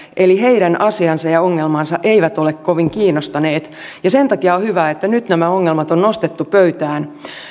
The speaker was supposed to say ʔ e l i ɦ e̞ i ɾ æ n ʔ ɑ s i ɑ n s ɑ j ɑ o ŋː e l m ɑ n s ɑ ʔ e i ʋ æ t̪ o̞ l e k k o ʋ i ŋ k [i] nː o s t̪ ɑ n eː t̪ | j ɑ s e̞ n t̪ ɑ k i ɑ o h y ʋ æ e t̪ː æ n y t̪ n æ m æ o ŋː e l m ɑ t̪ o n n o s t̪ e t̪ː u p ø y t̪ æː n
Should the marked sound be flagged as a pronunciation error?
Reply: yes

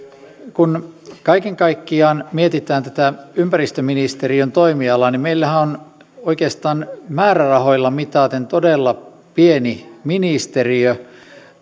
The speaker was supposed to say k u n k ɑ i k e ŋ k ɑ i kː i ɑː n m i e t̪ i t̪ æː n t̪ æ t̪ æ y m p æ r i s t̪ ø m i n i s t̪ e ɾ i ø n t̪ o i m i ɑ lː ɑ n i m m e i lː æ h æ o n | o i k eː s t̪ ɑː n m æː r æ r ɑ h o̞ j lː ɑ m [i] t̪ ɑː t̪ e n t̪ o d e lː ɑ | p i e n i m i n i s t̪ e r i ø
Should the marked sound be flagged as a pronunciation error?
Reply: no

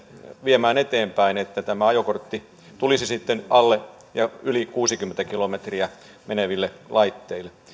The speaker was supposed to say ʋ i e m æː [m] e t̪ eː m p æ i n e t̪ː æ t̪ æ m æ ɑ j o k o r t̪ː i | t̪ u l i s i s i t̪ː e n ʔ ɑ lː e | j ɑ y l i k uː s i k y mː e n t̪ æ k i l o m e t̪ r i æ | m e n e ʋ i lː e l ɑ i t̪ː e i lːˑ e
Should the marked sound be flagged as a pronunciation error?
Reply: yes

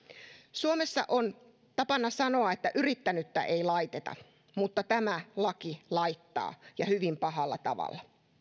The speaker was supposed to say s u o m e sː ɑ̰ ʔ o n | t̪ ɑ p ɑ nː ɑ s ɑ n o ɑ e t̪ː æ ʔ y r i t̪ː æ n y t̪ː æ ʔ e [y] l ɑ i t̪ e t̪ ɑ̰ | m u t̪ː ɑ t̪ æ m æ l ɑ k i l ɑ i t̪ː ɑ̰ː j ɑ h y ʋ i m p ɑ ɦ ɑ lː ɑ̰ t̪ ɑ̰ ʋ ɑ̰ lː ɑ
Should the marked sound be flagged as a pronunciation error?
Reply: yes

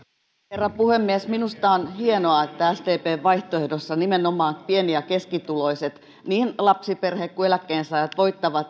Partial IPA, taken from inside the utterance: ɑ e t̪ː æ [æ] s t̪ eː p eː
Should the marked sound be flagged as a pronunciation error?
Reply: no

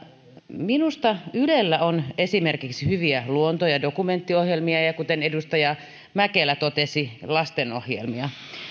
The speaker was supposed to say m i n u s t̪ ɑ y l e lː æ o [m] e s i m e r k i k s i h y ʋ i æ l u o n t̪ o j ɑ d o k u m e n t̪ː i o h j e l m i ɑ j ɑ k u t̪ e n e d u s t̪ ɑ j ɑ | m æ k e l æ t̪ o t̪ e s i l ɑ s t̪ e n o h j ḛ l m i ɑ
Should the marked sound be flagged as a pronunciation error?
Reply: yes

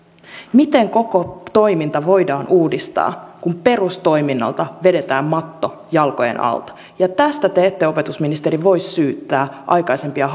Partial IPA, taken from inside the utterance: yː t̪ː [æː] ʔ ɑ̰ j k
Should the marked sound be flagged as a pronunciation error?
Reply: no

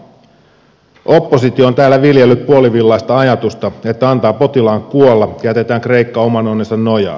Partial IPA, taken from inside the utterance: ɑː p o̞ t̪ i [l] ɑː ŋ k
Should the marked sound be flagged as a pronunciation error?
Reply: no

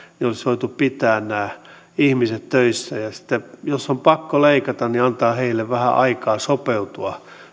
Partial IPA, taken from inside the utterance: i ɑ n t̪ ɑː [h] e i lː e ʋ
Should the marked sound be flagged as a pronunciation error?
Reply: no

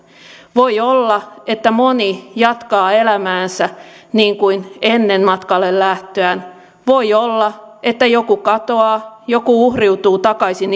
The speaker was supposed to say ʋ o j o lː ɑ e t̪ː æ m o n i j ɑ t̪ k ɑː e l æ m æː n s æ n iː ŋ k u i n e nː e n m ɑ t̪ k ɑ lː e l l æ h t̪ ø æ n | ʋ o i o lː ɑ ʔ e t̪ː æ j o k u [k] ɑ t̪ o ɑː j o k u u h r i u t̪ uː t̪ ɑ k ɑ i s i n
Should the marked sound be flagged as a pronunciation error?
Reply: no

